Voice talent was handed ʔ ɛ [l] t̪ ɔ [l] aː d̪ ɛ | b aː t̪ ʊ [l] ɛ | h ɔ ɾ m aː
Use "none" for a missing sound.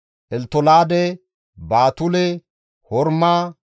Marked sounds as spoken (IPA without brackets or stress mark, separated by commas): l, l, l